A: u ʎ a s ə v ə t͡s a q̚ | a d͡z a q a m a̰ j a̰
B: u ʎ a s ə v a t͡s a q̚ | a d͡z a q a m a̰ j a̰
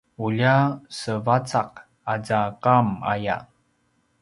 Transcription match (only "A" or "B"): B